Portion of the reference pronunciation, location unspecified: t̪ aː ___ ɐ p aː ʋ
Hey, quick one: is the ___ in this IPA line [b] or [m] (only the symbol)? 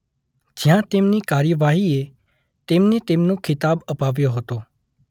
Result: b